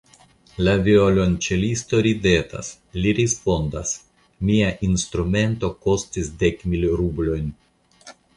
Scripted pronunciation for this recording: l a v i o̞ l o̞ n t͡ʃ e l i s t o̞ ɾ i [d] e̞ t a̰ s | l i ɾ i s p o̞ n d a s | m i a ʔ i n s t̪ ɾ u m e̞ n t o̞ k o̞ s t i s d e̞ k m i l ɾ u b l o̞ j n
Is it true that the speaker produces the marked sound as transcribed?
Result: yes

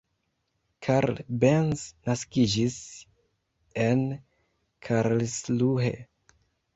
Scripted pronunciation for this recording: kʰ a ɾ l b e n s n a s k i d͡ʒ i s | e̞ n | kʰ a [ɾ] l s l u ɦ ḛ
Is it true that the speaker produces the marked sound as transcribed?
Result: yes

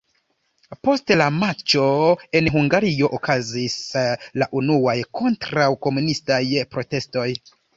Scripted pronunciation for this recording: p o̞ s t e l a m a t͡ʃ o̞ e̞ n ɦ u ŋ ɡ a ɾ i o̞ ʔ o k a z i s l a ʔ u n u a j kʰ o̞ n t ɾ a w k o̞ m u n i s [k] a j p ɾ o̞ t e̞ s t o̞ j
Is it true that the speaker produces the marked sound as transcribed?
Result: no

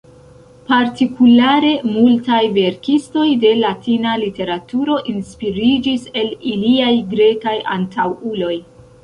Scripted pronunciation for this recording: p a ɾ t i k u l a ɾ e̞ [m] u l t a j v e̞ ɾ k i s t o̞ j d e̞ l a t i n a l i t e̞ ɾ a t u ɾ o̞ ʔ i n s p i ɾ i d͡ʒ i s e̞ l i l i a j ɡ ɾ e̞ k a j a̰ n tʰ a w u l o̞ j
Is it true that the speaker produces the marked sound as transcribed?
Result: yes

